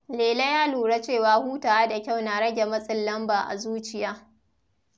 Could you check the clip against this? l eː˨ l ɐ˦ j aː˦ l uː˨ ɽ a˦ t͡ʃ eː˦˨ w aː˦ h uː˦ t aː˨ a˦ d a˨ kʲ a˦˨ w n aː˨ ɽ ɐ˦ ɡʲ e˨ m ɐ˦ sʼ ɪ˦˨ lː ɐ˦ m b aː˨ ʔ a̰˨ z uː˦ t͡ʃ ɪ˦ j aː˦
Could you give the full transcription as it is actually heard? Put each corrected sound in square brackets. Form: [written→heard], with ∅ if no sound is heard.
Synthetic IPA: l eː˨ l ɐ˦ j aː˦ l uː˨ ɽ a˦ t͡ʃ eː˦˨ w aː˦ h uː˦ t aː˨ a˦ d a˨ kʲ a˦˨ w n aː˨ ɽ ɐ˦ ɡʲ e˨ m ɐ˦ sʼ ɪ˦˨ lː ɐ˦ m b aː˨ ʔ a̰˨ z uː˦ t͡ʃ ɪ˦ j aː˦